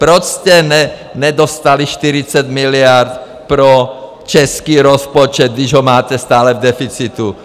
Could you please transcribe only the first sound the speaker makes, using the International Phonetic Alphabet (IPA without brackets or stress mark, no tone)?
p